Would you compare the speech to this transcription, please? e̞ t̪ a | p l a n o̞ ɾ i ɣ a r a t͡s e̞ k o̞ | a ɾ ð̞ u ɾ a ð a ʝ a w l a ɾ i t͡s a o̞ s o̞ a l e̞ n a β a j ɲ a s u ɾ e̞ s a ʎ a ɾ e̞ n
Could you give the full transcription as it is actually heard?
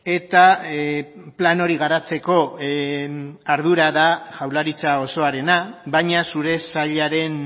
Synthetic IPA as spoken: e̞ t̪ a | p l a n o̞ ɾ i ɣ a ɾ a t͡s e̞ k o̞ | a ɾ ð̞ u ɾ a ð a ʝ a w l a ɾ i t͡s a o̞ s o̞ a ɾ e̞ n a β a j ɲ a s u ɾ e̞ s a ʎ a ɾ e̞ n